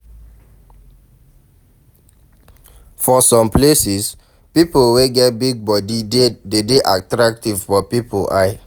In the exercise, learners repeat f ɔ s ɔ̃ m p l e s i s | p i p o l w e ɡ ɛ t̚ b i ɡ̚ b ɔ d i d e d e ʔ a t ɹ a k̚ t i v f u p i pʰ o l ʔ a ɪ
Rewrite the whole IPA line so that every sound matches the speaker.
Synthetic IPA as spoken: f ɔ s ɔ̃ m p l e s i s | p i p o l w e ɡ ɛ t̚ b i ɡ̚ b ɔ d i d e d e ʔ a t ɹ a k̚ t i v f ɔ p i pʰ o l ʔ a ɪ